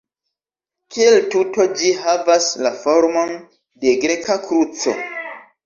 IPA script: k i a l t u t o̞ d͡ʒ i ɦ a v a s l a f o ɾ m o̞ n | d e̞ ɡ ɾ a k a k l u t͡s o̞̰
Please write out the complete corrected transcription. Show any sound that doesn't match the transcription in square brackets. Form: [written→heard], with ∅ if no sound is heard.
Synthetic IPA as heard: k i [a→e] l t u t o̞ d͡ʒ i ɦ a v a s l a f o ɾ m o̞ n | d e̞ ɡ ɾ [a→e] k a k [l→ɾ] u t͡s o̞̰